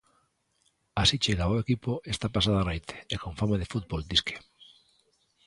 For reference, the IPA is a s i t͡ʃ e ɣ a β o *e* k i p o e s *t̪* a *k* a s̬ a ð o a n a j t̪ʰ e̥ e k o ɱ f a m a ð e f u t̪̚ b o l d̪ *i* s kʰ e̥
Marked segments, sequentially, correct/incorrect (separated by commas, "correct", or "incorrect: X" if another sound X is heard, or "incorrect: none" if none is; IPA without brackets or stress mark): correct, correct, incorrect: p, correct